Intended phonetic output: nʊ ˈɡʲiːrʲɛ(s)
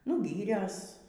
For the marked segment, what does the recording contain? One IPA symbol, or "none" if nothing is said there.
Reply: s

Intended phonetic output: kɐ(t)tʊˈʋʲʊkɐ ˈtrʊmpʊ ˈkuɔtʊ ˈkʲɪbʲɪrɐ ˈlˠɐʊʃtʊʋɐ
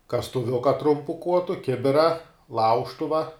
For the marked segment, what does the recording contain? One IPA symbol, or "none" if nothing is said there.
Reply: s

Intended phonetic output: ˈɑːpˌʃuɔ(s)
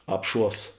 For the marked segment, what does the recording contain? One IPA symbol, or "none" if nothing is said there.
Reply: s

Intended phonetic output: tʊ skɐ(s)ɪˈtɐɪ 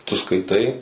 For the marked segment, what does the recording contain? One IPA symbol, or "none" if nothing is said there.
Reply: none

